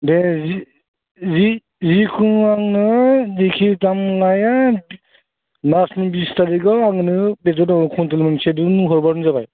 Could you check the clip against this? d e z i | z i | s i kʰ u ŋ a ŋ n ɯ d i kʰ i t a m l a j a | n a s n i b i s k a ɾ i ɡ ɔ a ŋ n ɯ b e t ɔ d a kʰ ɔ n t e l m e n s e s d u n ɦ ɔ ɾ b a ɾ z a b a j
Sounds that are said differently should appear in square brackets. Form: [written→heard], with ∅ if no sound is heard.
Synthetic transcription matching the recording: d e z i | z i | [s→z] i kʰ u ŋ a ŋ n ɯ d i kʰ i t a m l a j a | n a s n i b i s [k→t] a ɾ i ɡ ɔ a ŋ n ɯ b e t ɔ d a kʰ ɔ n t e l m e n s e [s→∅] d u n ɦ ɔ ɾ b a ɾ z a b a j